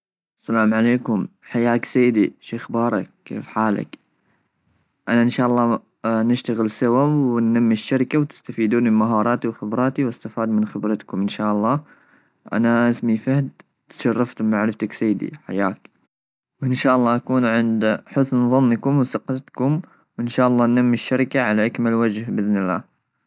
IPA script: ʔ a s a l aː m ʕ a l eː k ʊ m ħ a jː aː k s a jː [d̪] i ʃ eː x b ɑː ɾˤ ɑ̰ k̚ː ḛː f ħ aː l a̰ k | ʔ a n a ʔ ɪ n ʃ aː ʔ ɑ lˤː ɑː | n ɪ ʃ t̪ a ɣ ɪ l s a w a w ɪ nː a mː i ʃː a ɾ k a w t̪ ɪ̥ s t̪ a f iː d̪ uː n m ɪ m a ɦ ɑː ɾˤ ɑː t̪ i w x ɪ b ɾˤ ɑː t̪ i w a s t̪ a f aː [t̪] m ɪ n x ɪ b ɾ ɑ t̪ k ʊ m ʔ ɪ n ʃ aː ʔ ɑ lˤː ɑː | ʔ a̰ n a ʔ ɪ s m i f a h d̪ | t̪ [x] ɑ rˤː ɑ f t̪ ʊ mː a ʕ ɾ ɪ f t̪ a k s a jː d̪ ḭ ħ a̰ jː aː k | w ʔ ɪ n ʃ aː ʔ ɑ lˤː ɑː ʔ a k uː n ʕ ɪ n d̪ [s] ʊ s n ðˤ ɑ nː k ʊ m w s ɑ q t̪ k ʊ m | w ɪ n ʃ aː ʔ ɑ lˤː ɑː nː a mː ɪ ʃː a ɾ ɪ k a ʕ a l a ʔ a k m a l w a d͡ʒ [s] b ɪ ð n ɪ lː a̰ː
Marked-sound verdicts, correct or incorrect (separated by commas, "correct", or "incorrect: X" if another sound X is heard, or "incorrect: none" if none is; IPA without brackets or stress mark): correct, incorrect: d̪, incorrect: ʃ, incorrect: ħ, incorrect: h